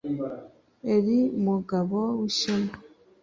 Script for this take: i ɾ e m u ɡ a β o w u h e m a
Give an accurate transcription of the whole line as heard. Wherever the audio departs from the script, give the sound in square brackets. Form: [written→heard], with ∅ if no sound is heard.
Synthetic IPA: [i→e] ɾ [e→i] m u ɡ a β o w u [h→ʃ] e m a